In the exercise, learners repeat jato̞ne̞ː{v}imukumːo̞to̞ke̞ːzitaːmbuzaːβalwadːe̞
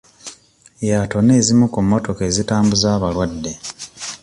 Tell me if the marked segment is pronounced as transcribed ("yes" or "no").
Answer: no